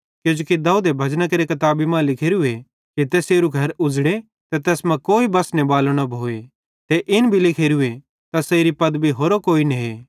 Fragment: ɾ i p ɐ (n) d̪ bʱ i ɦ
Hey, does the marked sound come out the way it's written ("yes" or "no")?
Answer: no